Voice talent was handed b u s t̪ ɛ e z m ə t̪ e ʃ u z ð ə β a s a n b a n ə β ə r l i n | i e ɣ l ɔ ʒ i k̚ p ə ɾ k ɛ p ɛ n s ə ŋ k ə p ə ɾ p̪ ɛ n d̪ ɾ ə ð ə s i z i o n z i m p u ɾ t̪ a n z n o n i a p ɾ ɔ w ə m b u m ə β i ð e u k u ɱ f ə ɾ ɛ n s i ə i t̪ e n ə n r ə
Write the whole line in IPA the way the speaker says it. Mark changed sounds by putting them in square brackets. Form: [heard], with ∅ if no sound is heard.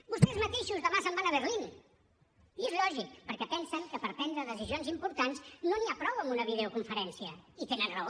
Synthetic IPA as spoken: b u s t̪ ɛ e z m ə t̪ e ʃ u z ð ə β a s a [m] b a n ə β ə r l i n | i e [z] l ɔ ʒ i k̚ p ə ɾ k ɛ p ɛ n s ə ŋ k ə p ə ɾ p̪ ɛ n d̪ ɾ ə ð ə s i z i o n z i m p u ɾ t̪ a n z n o n i a p ɾ ɔ w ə m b u [n] ə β i ð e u k u ɱ f ə ɾ ɛ n s i ə i t̪ e n ə n r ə